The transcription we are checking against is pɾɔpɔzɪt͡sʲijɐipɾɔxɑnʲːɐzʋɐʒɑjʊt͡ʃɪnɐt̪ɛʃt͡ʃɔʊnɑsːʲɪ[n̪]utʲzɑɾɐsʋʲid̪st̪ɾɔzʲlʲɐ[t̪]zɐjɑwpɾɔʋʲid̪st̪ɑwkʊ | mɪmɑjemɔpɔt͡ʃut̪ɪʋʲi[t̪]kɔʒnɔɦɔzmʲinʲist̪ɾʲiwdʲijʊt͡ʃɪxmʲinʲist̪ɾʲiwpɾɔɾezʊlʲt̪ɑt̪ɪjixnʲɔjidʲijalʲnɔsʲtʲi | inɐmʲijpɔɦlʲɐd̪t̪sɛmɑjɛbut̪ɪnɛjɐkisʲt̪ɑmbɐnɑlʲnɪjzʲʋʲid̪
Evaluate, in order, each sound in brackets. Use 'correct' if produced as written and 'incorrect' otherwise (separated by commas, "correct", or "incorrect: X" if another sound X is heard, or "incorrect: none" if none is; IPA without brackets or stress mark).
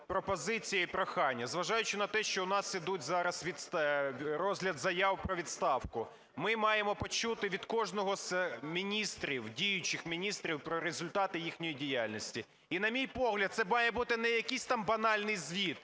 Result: incorrect: d̪, incorrect: d̪, incorrect: d̪